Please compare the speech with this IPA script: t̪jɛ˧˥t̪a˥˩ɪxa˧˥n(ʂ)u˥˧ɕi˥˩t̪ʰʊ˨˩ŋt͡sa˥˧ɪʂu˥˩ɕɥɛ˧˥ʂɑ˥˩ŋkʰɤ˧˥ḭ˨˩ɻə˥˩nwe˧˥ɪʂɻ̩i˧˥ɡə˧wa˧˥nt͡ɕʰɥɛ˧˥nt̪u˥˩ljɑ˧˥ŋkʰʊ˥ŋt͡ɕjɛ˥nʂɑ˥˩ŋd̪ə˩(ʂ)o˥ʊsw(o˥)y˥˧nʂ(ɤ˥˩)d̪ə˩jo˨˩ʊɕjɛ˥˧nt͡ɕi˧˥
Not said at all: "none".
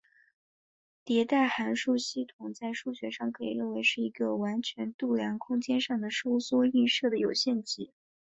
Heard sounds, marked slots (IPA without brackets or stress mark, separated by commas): ʂ, ʂ, ɔ˥, ɤ˥˩